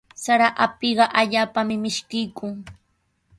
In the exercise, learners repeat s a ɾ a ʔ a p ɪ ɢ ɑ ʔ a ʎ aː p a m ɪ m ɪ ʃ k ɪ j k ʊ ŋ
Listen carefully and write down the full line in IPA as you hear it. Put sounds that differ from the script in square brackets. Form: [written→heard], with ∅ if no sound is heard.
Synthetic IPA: s a ɾ a ʔ a p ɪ ɢ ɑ ʔ a ʎ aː p a m ɪ m ɪ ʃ k ɪ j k ʊ ŋ